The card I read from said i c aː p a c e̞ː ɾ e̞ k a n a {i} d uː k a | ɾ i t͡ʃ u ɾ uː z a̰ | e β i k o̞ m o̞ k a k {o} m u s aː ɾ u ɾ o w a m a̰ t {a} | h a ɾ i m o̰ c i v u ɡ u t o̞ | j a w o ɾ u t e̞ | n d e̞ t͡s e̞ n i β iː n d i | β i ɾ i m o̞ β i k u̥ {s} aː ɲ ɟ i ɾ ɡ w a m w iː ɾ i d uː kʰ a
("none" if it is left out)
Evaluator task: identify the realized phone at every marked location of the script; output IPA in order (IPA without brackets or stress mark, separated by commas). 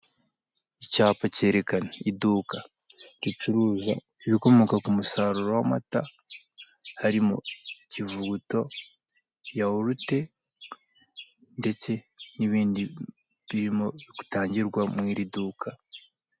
i, u, a, t